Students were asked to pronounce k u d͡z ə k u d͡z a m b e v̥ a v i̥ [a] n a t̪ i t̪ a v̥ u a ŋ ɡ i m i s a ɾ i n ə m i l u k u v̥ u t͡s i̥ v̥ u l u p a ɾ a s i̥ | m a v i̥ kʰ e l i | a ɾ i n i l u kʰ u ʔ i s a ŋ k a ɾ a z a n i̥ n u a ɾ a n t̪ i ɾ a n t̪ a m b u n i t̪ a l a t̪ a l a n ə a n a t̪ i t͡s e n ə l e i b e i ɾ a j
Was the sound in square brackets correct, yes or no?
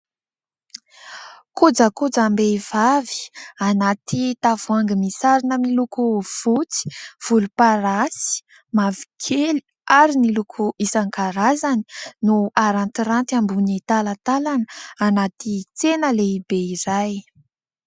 yes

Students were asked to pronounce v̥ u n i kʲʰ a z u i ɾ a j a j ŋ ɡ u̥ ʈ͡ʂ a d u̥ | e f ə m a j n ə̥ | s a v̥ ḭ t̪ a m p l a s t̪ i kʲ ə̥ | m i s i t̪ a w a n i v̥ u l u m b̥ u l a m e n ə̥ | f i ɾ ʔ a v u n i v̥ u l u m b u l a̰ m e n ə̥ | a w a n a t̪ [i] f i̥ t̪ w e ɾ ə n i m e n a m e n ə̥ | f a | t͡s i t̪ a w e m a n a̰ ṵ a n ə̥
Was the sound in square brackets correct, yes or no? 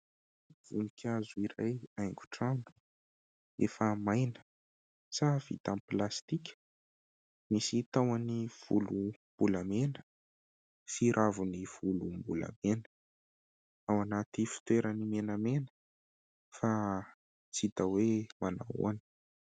yes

